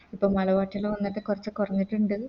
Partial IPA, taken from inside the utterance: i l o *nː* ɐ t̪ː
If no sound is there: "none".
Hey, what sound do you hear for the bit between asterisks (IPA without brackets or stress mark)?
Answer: nː